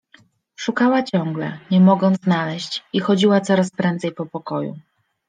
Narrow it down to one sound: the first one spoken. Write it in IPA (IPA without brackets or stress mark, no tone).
ʂ